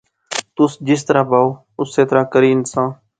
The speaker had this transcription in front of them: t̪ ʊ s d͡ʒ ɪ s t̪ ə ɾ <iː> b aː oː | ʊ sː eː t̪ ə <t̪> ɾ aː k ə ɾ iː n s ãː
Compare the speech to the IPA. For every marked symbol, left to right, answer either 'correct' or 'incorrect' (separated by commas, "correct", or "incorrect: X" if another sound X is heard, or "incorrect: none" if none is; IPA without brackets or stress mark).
incorrect: aː, incorrect: none